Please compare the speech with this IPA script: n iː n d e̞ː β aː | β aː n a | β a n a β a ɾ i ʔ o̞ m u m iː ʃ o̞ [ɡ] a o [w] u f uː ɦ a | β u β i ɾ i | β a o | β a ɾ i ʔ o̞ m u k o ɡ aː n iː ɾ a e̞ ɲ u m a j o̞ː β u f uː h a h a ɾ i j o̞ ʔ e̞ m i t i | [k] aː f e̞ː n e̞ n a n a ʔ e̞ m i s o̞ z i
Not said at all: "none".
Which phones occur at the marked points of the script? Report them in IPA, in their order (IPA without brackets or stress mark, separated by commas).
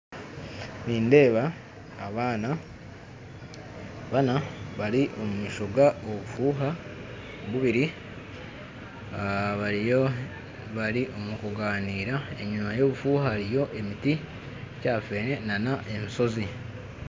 ɡ, β, c